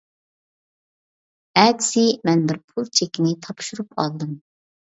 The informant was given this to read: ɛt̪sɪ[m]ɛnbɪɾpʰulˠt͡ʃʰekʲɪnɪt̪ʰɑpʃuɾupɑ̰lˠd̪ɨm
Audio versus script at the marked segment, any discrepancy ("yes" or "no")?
no